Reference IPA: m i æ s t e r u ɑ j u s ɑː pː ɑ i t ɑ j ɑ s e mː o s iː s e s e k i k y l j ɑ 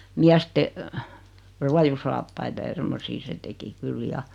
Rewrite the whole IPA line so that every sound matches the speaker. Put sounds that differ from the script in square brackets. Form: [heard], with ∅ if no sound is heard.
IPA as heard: m i æ s t e r u ɑ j u s ɑː pː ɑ i t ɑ j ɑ s e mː o s iː s e [t] e k i k y l j ɑ